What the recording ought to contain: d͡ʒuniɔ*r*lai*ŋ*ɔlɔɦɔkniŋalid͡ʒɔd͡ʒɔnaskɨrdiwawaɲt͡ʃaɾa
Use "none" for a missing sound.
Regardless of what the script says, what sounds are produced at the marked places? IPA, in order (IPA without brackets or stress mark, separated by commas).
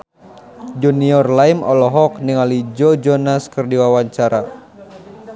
r, m